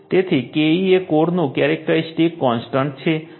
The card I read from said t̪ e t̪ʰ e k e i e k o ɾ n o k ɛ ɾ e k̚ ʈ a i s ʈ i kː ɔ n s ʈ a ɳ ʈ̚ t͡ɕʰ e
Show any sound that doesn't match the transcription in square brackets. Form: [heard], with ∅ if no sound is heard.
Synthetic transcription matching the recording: t̪ e t̪ʰ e k e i e k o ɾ n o k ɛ ɾ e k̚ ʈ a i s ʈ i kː ɔ n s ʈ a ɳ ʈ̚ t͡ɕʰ e